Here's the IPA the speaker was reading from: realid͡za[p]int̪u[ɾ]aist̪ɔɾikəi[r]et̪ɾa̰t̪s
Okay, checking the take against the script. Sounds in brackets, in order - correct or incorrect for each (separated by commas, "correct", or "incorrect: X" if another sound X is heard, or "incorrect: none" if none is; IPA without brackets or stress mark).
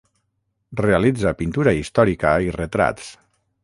correct, correct, correct